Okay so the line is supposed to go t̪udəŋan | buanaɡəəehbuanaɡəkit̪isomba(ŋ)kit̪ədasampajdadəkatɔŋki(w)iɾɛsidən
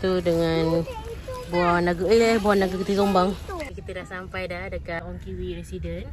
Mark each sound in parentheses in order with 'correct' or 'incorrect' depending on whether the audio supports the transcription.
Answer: correct, correct

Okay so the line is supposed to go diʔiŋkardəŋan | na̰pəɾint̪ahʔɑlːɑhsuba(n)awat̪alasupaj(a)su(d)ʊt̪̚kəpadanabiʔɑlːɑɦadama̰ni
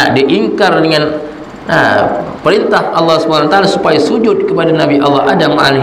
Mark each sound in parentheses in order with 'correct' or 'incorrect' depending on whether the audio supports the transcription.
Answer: correct, correct, incorrect: d͡ʒ

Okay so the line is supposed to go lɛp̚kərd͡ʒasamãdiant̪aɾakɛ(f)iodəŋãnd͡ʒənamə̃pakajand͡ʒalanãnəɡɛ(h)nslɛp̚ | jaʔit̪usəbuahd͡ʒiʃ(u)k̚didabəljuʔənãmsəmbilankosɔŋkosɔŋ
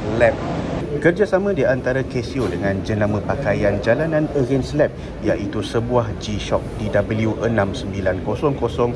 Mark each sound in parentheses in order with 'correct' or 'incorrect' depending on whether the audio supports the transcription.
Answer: incorrect: s, incorrect: none, incorrect: ɔ

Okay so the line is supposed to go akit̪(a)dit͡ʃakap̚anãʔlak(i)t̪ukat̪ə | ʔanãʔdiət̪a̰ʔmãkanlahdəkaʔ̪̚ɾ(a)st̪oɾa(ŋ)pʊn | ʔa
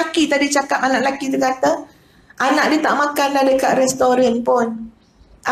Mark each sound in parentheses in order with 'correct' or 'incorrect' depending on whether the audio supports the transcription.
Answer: correct, correct, incorrect: ɛ, incorrect: n

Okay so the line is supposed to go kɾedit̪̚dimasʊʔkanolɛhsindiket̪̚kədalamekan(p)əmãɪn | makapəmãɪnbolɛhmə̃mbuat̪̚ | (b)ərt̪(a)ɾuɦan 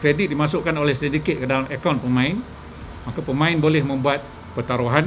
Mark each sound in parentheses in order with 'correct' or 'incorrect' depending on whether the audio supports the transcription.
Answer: correct, incorrect: p, correct

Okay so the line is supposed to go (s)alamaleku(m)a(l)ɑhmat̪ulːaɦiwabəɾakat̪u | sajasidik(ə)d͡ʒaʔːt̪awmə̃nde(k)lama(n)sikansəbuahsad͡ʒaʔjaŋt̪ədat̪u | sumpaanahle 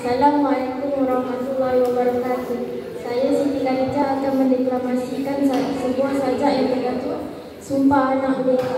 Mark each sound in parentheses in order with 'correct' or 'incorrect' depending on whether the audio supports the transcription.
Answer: correct, correct, incorrect: ɾ, incorrect: a, correct, incorrect: none

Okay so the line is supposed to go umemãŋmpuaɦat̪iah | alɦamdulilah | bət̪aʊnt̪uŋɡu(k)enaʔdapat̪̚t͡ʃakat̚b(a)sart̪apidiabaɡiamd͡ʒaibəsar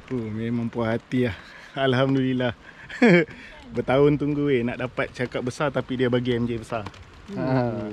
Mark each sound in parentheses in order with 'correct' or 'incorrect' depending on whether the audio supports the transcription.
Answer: incorrect: none, incorrect: ə

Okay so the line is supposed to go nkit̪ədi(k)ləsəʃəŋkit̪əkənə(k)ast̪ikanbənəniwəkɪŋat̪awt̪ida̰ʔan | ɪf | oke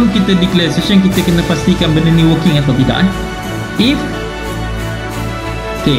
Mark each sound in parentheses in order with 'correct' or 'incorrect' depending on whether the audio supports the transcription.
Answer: correct, incorrect: p

